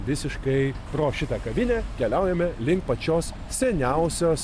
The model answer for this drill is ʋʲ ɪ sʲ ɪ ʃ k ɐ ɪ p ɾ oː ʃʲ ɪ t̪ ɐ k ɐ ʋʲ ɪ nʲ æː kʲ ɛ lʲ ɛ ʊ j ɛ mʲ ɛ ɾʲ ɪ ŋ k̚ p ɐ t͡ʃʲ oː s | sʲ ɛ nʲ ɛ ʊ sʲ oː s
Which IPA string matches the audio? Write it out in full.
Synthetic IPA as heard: ʋʲ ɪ sʲ ɪ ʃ k ɐ ɪ p ɾ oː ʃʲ ɪ t̪ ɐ k ɐ ʋʲ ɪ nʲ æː kʲ ɛ lʲ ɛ ʊ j ɛ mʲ ɛ lʲ ɪ ŋ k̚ p ɐ t͡ʃʲ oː s | sʲ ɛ nʲ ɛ ʊ sʲ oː s

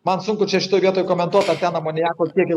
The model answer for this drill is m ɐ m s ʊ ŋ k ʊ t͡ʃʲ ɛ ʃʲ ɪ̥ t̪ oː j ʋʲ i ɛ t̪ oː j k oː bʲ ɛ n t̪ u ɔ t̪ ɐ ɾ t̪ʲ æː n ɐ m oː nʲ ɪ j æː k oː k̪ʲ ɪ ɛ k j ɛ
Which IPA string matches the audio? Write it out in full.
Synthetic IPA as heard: m ɐ n s ʊ ŋ k ʊ t͡ʃʲ ɛ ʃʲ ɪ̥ t̪ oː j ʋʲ i ɛ t̪ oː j k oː mʲ ɛ n t̪ u ɔ t̪ ɐ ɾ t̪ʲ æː n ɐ m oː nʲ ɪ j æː k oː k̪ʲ i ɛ k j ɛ

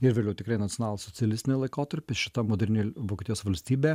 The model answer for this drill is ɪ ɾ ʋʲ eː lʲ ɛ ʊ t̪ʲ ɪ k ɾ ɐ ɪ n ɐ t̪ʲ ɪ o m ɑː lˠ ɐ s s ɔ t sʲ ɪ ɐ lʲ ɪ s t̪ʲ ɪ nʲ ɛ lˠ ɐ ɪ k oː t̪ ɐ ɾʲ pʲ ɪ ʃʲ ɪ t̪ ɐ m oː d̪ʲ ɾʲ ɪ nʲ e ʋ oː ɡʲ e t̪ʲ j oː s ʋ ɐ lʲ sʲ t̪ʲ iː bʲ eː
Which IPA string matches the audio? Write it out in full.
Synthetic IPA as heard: ɪ ɾ ʋʲ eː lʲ ɛ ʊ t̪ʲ ɪ k ɾ ɐ ɪ n ɐ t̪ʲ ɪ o n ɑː lˠ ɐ s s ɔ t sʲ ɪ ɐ lʲ ɪ s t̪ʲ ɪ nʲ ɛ lˠ ɐ ɪ k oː t̪ ɐ ɾʲ pʲ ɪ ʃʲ ɪ t̪ ɐ m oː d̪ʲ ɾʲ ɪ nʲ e ʋ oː kʲ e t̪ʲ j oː s ʋ ɐ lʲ sʲ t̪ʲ iː bʲ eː

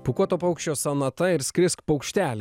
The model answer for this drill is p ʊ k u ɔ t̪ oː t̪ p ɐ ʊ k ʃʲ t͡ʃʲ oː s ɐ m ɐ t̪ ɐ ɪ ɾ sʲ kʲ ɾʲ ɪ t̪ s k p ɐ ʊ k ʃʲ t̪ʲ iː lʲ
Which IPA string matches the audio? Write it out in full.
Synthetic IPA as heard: p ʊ k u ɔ t̪ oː p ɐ ʊ k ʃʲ t͡ʃʲ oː s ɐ n ɐ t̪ ɐ ɪ ɾ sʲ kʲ ɾʲ ɪ s k p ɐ ʊ k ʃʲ t̪ʲ æː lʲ

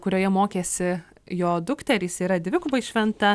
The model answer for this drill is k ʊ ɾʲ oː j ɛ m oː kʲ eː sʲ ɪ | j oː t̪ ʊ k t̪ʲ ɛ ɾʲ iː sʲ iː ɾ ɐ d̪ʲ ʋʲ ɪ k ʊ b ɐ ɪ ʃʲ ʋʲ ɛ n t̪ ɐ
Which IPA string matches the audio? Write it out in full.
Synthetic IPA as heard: k ʊ ɾʲ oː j ɛ m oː kʲ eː sʲ ɪ | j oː d̪ ʊ k t̪ʲ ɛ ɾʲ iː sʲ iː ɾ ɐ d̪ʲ ʋʲ ɪ k ʊ b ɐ ɪ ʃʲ ʋʲ ɛ n t̪ ɐ

